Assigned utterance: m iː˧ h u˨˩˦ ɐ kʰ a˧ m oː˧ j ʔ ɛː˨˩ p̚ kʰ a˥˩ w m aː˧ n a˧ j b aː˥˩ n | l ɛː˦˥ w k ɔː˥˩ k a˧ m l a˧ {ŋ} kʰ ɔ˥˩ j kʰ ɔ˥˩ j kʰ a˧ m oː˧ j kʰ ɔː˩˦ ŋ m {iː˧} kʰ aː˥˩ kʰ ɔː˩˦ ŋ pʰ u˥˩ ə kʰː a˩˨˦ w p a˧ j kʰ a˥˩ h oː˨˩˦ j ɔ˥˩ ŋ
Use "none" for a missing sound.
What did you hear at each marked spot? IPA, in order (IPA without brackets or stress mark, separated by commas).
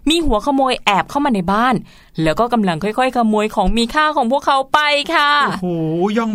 ŋ, iː˧